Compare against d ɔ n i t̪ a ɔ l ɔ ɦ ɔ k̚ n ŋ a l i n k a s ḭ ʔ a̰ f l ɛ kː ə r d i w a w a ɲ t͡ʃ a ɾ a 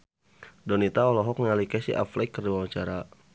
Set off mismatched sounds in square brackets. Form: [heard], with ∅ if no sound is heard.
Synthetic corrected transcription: d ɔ n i t̪ a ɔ l ɔ ɦ ɔ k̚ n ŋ a l i [∅] k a s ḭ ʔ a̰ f l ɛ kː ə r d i w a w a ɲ t͡ʃ a ɾ a